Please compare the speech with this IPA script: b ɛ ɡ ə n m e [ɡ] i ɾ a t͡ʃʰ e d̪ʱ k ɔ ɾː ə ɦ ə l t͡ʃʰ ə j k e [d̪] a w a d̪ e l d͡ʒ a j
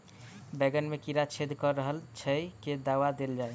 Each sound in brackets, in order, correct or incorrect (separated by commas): incorrect, correct